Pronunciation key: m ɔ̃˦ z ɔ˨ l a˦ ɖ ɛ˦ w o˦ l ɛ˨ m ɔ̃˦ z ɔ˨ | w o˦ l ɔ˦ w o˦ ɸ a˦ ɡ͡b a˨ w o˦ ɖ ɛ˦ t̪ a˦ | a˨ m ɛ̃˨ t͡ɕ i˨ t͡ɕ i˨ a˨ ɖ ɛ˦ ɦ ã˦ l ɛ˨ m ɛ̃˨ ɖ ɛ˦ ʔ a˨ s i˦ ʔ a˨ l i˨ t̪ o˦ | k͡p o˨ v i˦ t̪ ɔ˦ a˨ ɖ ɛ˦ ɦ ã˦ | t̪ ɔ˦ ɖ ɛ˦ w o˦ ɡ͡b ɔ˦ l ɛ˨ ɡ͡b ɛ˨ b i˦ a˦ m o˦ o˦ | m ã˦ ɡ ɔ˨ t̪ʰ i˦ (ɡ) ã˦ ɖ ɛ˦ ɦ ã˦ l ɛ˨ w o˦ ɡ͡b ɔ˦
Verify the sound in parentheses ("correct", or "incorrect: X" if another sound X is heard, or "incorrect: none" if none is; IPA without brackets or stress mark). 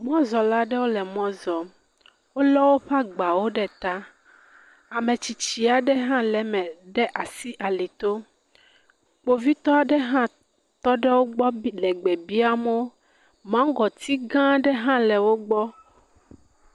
correct